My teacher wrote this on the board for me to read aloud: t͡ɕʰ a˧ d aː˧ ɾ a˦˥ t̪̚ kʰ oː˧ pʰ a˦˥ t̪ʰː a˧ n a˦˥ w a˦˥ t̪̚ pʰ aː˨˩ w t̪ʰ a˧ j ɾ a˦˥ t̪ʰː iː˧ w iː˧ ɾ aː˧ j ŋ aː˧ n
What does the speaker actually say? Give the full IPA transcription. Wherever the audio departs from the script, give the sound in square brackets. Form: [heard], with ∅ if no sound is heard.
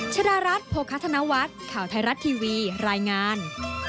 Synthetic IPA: t͡ɕʰ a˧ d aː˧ ɾ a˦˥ t̪̚ [pʰ] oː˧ [kʰ] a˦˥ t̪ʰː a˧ n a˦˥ w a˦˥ t̪̚ [kʰ] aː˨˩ w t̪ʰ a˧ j ɾ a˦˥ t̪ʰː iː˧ w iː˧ ɾ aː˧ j ŋ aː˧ n

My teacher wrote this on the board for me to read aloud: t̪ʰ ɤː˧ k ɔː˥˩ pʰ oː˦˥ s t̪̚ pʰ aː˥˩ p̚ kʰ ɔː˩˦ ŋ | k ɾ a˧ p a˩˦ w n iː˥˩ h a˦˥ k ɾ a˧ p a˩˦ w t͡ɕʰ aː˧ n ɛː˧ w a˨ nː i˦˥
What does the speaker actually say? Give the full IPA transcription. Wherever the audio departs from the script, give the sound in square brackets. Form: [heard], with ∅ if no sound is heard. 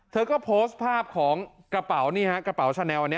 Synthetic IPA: t̪ʰ ɤː˧ k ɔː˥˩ pʰ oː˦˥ s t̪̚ pʰ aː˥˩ p̚ kʰ ɔː˩˦ ŋ | k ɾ a˧ p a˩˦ w n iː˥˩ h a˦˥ k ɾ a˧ p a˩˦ w t͡ɕʰ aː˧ n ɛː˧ w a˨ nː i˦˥

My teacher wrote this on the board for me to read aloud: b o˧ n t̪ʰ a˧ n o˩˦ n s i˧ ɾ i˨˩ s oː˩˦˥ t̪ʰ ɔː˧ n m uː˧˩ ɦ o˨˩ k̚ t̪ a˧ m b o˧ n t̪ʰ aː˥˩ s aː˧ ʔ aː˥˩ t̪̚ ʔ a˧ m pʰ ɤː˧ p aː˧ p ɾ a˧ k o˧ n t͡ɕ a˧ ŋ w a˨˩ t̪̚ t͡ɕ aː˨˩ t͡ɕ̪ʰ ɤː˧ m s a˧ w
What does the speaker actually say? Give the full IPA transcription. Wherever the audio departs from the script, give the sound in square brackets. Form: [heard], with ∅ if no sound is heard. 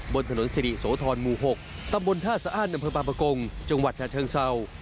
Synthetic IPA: b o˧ n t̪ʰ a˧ n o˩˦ n s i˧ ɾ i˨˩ s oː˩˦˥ t̪ʰ ɔː˧ n m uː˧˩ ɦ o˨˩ k̚ t̪ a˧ m b o˧ n t̪ʰ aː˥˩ s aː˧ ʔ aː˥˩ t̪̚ ʔ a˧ m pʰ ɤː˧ p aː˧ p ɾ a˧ k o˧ [ŋ] t͡ɕ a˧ ŋ w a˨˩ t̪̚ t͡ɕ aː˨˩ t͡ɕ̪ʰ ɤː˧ [ŋ] s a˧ w

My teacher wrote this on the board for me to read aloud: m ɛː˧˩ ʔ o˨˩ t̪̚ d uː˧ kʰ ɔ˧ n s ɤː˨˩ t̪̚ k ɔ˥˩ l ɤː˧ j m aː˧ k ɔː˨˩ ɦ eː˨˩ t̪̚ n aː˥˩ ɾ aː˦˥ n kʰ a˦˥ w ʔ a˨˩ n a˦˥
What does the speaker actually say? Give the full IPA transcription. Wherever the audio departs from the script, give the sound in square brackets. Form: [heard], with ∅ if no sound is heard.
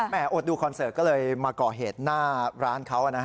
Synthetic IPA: m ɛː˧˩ ʔ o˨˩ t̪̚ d uː˧ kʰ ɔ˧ n s ɤː˨˩ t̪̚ k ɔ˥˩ l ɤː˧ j m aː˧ k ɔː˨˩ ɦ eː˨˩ t̪̚ n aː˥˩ ɾ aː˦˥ n kʰ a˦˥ w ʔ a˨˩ n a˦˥

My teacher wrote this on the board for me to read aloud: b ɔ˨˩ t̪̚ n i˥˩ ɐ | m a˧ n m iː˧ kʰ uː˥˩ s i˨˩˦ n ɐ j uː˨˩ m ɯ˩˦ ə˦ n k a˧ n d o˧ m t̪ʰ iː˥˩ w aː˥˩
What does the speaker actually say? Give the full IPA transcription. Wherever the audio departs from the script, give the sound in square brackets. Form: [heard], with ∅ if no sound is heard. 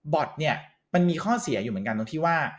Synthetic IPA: b ɔ˨˩ t̪̚ n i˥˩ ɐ | m a˧ n m iː˧ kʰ [ɔː˥˩] s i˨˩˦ [∅] ɐ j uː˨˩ m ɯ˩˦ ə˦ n k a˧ n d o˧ [ŋ] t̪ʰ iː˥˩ w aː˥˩

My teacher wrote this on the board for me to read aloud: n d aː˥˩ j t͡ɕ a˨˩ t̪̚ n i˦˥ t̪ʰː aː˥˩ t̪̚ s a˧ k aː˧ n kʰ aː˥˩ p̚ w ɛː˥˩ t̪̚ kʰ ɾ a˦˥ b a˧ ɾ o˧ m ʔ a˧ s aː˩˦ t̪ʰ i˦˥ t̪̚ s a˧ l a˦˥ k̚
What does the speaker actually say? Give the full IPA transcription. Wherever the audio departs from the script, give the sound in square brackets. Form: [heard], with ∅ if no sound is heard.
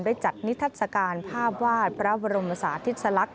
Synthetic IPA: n d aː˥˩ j t͡ɕ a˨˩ t̪̚ n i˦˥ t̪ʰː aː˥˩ t̪̚ s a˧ k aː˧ n [pʰ] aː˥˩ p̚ w [aː˥˩] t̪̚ [pʰ] ɾ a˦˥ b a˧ ɾ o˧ m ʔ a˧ s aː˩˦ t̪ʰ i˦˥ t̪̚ s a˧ l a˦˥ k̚

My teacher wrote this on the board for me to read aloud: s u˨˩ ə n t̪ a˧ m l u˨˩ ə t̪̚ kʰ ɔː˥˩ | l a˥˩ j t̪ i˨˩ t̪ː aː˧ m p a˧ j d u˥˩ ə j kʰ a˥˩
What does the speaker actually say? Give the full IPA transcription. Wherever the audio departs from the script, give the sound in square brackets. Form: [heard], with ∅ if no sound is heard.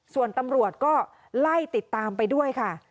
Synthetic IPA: s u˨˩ ə n t̪ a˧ m [ɾ] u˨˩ ə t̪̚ [k] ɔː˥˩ | l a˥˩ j t̪ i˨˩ t̪ː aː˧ m p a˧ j d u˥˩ ə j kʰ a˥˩

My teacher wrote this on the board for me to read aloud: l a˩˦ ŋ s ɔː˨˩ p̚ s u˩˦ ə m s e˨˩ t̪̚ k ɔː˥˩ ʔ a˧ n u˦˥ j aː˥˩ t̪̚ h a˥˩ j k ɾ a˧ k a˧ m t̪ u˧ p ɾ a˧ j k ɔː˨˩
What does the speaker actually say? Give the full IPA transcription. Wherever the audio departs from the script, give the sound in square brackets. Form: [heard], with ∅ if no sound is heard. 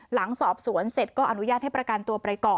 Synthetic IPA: l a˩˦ ŋ s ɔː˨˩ p̚ s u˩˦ ə [n] s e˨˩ t̪̚ k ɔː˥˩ ʔ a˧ n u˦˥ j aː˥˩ t̪̚ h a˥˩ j [p] ɾ a˧ k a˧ [n] t̪ u˧ p ɾ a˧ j k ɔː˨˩

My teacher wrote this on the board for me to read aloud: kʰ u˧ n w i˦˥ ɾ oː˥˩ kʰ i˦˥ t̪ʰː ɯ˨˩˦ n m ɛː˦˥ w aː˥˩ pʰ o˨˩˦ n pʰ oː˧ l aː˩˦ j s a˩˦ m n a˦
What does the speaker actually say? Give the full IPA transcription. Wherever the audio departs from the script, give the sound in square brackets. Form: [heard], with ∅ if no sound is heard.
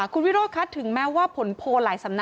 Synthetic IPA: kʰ u˧ n w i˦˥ ɾ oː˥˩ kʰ [a˦˥] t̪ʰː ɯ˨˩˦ [ŋ] m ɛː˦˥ w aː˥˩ pʰ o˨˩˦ n pʰ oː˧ l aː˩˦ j s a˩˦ m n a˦

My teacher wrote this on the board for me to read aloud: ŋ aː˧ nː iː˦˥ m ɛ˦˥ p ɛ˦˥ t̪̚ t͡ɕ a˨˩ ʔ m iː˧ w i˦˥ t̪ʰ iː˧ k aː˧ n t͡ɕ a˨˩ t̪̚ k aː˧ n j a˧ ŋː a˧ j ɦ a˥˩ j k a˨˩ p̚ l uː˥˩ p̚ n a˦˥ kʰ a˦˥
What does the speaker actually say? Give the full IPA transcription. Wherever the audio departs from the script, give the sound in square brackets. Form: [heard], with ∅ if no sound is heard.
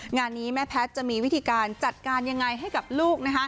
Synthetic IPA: ŋ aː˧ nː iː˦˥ m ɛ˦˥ [pʰ] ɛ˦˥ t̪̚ t͡ɕ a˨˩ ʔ m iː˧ w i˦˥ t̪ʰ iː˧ k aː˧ n t͡ɕ a˨˩ t̪̚ k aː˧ n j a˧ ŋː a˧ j ɦ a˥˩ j k a˨˩ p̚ l uː˥˩ [k̚] n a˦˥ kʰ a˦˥

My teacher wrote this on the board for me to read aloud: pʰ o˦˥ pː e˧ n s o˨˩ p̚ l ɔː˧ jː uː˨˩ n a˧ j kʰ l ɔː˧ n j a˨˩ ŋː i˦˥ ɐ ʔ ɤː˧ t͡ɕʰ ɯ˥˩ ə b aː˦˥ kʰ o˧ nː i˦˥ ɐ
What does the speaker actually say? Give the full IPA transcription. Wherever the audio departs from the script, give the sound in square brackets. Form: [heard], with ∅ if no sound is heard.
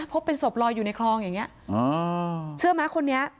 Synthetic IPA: pʰ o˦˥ pː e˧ n s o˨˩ p̚ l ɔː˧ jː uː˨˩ n a˧ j kʰ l ɔː˧ [ŋ] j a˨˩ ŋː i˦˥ ɐ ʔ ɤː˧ t͡ɕʰ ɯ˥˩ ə [m] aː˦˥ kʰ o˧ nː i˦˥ ɐ

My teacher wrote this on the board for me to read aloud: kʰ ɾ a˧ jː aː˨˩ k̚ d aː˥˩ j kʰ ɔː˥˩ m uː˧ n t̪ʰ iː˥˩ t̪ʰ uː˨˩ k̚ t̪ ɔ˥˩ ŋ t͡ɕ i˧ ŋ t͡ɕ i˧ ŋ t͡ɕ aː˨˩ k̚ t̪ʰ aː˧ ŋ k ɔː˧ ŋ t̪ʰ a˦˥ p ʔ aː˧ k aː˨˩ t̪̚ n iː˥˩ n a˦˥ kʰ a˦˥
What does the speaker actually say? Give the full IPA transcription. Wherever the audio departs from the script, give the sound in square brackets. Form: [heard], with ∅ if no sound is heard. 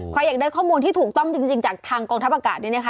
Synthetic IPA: kʰ ɾ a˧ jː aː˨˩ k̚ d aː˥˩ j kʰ ɔː˥˩ m uː˧ n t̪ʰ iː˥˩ t̪ʰ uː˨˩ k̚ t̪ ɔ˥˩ ŋ t͡ɕ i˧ ŋ t͡ɕ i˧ ŋ t͡ɕ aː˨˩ k̚ t̪ʰ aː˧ ŋ k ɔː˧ ŋ t̪ʰ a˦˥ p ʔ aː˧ k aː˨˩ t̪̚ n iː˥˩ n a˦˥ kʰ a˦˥

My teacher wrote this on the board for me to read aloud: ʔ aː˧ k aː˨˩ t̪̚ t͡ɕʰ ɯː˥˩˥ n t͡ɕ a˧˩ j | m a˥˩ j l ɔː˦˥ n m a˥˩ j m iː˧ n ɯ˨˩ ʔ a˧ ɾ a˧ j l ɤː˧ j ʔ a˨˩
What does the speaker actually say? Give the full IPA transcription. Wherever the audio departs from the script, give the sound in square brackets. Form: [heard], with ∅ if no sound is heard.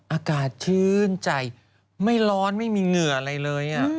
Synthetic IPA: ʔ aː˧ k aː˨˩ t̪̚ t͡ɕʰ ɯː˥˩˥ n t͡ɕ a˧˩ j | m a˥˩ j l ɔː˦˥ n m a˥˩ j m iː˧ [ŋ] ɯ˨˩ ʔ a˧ ɾ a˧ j l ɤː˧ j ʔ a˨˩

